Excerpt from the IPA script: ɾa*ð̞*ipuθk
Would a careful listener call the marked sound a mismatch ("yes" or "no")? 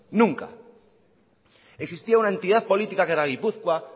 yes